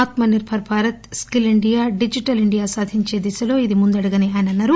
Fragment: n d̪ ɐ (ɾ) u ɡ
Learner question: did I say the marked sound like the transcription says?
no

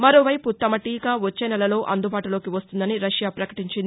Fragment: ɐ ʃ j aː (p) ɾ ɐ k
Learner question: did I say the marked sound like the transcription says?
yes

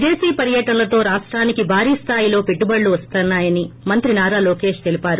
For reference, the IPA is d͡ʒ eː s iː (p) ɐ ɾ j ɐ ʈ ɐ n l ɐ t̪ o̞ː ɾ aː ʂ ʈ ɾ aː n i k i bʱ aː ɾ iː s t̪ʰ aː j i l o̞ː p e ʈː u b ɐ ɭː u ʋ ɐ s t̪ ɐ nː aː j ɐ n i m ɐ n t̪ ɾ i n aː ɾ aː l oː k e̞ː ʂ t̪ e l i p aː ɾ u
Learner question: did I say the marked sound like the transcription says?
yes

